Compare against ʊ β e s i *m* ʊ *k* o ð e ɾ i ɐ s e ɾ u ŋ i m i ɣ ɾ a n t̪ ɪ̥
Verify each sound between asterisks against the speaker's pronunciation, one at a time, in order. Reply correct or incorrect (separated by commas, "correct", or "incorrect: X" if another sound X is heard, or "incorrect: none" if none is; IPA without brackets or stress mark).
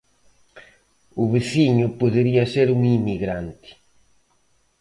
incorrect: ɲ, incorrect: p